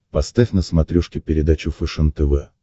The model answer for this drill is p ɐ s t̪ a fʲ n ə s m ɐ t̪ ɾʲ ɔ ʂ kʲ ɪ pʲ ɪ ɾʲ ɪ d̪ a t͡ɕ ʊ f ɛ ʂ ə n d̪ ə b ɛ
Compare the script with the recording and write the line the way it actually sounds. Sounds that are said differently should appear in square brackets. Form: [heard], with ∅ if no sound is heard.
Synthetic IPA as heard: p ɐ s t̪ a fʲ n ə s m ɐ t̪ ɾʲ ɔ ʂ kʲ ɪ pʲ ɪ ɾʲ ɪ d̪ a t͡ɕ ʊ f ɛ ʂ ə n [t̪] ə [v] ɛ